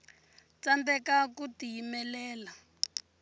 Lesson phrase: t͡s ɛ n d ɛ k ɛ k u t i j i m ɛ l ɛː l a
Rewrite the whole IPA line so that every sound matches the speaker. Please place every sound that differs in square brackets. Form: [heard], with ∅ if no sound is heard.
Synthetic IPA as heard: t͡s [a] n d ɛ k [a] k u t i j i m ɛ l ɛː l a